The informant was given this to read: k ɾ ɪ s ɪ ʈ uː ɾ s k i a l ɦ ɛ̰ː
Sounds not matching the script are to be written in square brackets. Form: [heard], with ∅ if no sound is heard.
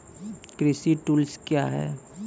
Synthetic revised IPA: k ɾ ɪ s [i] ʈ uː [l] s k [j] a [∅] ɦ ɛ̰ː